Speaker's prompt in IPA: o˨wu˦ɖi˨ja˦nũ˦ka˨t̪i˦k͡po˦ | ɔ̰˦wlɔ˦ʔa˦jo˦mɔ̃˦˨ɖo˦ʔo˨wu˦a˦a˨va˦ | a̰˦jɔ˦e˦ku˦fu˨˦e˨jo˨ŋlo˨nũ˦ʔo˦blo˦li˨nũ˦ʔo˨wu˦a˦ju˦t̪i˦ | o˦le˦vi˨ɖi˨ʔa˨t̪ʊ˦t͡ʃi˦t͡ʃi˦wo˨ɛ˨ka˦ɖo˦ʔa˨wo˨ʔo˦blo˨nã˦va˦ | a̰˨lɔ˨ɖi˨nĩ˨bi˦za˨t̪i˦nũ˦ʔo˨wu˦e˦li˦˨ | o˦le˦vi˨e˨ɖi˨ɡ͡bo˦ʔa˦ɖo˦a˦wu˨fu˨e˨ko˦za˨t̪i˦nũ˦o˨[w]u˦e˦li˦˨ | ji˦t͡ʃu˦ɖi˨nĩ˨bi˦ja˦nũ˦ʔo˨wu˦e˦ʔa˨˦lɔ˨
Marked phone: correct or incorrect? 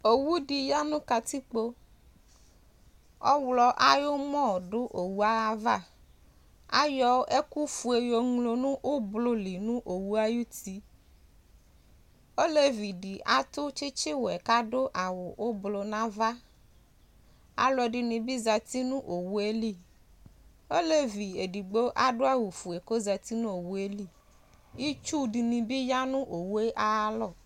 correct